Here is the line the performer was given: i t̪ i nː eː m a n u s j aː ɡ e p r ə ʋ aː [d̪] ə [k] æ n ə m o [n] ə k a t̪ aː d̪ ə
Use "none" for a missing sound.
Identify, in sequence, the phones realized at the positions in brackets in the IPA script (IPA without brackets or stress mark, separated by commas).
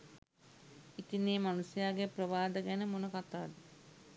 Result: d̪, ɡ, n